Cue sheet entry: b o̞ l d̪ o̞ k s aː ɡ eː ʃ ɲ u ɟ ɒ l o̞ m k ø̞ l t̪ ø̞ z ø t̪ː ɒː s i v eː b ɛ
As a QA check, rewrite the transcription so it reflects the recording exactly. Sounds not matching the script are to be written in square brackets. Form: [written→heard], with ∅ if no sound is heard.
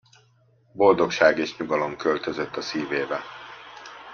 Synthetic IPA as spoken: b o̞ l d̪ o̞ k [s→ʃ] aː ɡ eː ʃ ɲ u [ɟ→ɡ] ɒ l o̞ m k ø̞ l t̪ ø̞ z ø t̪ː [ɒː→ɒ] s [i→iː] v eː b ɛ